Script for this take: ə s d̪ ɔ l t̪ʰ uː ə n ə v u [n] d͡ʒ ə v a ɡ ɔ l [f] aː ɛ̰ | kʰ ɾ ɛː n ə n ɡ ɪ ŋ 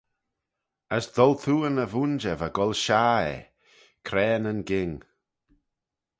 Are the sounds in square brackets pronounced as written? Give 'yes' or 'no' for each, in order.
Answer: yes, no

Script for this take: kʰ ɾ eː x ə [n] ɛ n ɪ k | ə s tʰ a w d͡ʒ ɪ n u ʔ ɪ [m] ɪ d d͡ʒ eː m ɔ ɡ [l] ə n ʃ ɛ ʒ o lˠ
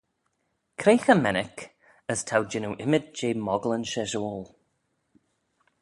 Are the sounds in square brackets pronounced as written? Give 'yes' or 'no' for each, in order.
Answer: no, yes, yes

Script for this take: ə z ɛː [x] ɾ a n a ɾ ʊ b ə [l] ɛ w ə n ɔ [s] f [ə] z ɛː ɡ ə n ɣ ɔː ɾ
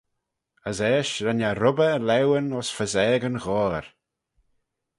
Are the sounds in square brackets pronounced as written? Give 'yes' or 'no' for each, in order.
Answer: no, yes, yes, yes

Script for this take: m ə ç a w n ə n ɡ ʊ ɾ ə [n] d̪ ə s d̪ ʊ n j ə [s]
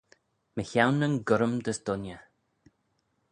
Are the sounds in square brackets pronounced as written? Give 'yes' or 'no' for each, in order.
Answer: no, no

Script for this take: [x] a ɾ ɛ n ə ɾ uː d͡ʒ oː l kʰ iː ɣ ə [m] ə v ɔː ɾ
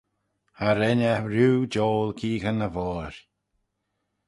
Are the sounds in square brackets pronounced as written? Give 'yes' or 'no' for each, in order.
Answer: no, no

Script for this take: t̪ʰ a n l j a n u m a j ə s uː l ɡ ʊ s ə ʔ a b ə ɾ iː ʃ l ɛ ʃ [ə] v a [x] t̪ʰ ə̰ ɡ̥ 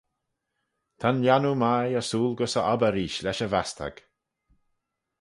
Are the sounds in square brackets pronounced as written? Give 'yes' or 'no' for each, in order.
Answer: yes, no

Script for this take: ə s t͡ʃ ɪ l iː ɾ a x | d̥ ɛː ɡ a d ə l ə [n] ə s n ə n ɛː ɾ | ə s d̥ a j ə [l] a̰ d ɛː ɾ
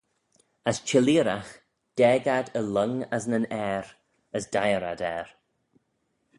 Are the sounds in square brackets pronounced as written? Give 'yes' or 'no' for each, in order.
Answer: no, no

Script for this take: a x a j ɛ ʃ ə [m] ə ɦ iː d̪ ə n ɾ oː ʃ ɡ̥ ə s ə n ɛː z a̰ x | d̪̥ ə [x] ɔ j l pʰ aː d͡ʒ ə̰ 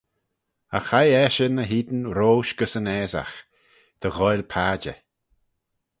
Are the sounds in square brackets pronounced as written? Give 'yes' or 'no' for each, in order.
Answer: no, no

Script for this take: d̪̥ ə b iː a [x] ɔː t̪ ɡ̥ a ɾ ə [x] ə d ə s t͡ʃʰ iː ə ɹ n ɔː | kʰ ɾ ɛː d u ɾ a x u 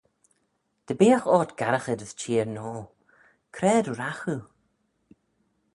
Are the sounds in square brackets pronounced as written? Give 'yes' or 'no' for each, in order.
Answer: yes, yes

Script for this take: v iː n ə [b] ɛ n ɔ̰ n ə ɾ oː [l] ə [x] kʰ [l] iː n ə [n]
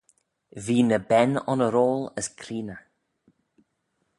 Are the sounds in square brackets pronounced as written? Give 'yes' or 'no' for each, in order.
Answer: yes, yes, no, no, no

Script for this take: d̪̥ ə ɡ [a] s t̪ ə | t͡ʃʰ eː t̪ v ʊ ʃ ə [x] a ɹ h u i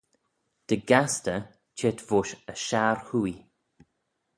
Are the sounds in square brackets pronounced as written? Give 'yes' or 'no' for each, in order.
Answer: yes, no

